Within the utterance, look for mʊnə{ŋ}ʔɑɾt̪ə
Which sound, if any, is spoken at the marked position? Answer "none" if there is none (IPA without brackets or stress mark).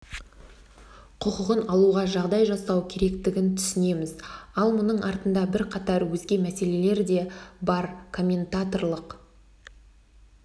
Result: ɴ